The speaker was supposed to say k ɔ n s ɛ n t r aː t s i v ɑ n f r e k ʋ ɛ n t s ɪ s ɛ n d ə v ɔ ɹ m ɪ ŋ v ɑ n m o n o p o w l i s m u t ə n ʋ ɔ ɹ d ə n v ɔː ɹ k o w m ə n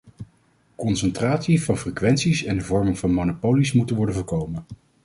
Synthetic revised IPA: k ɔ n s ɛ n t r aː t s i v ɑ n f r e k ʋ ɛ n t s i s ɛ n d ə v ɔ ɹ m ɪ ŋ v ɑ n m o n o p o w l i s m u t ə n ʋ ɔ ɹ d ə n v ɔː ɹ k o w m ə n